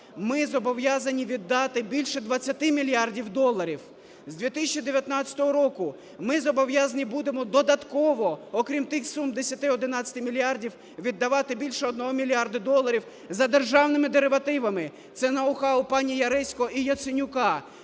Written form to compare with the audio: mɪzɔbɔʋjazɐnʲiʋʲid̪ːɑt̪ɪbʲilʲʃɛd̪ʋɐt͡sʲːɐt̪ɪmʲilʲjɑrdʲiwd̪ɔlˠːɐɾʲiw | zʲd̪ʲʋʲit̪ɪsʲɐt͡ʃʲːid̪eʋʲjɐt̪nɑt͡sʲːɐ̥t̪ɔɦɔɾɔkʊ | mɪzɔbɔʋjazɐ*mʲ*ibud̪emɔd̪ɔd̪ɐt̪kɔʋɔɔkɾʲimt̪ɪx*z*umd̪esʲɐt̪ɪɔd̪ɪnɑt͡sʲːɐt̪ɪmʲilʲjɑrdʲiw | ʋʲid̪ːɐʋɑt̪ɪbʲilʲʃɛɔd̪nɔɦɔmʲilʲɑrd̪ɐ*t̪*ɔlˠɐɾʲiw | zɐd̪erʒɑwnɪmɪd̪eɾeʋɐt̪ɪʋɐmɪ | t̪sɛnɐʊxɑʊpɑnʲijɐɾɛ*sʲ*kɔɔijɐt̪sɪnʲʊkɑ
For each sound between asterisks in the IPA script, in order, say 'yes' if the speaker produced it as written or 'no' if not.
no, no, no, yes

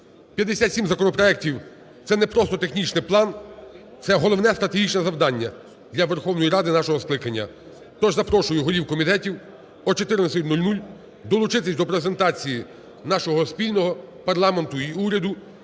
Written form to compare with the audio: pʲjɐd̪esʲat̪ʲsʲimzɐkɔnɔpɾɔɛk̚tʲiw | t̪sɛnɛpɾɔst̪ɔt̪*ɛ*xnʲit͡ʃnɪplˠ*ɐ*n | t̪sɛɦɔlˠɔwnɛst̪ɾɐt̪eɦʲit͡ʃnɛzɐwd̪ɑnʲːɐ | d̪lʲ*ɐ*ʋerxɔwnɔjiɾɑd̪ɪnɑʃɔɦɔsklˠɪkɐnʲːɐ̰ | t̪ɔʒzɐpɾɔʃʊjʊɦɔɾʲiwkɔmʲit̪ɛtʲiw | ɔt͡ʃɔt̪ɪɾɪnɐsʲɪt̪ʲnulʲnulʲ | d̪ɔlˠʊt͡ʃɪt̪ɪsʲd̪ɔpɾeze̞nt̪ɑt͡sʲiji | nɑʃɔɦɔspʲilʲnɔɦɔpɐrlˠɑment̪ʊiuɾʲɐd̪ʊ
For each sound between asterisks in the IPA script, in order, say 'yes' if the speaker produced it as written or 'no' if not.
no, no, yes

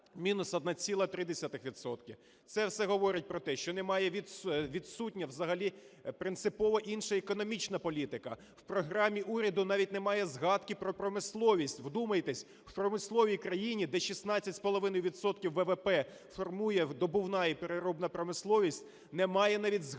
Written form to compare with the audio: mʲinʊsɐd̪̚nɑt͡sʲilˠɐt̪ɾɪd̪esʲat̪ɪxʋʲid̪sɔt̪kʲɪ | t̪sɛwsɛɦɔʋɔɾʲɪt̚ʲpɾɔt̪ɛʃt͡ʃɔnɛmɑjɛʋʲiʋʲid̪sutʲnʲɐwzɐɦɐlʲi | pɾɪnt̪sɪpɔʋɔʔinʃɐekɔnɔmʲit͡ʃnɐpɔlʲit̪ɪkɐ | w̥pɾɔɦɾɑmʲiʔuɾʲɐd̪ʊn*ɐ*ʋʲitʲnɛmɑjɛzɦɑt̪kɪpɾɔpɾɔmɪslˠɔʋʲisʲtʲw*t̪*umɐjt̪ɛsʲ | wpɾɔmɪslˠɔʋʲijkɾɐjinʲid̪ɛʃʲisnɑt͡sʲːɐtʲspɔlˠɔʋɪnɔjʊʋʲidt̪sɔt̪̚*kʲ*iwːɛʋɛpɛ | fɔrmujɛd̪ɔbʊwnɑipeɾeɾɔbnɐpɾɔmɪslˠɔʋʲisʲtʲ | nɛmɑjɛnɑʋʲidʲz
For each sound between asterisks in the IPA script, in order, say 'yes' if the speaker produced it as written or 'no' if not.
no, no, yes

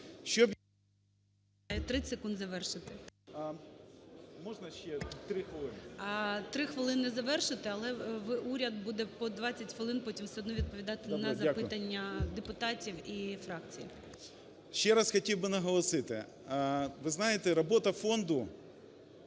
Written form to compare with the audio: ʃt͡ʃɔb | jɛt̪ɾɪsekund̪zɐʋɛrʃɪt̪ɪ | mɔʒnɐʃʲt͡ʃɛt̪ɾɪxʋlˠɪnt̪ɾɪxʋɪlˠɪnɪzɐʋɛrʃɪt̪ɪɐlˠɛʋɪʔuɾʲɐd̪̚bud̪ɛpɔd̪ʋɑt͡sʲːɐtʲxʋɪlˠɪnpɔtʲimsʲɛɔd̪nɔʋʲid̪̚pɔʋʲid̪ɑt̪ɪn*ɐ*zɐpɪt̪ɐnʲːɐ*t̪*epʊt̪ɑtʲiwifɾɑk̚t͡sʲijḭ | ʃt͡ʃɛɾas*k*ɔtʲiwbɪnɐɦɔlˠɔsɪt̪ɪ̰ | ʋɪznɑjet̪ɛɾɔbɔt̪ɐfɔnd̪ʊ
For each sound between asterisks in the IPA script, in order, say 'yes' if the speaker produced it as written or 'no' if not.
yes, no, no

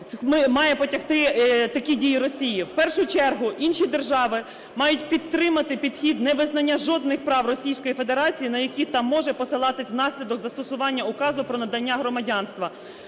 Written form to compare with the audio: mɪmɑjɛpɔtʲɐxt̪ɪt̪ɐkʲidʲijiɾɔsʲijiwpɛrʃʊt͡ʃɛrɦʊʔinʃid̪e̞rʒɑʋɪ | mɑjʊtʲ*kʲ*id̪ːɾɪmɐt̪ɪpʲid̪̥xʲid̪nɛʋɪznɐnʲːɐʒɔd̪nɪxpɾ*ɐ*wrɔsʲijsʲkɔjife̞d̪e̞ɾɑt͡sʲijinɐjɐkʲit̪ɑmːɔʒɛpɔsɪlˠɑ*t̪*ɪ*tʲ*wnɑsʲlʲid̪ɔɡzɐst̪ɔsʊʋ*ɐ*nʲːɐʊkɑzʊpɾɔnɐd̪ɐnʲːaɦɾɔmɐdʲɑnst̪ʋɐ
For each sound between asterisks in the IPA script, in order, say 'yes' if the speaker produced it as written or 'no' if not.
no, no, yes, no, no

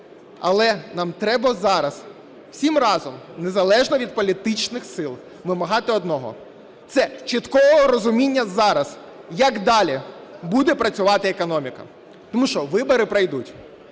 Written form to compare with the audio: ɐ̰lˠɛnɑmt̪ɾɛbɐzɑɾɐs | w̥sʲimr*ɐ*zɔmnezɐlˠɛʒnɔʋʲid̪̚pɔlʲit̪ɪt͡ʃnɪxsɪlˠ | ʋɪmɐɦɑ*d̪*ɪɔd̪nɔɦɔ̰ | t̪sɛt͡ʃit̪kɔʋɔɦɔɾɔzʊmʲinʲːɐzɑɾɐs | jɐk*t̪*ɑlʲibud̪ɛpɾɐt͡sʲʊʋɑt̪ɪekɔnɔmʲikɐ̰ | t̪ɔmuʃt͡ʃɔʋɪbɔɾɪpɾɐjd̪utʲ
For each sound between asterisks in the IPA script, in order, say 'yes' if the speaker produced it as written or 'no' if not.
no, no, no

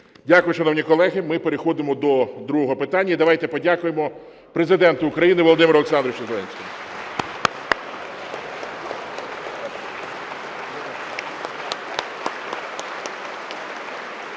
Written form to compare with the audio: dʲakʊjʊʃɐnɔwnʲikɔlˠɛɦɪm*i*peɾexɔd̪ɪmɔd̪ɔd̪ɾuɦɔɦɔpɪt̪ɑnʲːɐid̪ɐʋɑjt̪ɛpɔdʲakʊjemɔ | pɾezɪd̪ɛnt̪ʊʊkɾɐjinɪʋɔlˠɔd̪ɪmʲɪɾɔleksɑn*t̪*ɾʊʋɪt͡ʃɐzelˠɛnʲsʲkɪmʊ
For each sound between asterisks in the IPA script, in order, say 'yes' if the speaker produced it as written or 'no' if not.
no, no

